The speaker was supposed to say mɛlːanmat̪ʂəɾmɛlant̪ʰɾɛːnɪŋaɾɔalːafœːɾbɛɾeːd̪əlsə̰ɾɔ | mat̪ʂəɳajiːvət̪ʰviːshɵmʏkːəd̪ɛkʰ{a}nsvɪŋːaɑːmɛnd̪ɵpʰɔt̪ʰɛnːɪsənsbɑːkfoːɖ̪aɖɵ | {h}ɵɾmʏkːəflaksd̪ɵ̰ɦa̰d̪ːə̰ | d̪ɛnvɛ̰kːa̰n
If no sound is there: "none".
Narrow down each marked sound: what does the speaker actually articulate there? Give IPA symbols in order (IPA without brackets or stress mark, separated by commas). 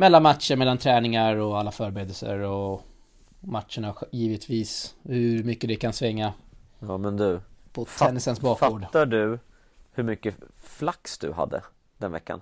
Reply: a, h